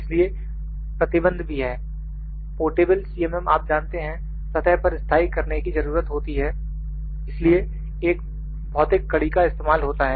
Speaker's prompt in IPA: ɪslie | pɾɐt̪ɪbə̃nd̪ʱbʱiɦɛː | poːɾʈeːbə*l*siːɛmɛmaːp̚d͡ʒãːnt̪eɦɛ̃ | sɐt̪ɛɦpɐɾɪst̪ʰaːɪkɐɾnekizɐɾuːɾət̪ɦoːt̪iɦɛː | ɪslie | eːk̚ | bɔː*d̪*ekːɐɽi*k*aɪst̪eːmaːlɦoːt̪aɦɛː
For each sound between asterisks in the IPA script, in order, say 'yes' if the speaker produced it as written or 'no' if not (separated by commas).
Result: yes, no, yes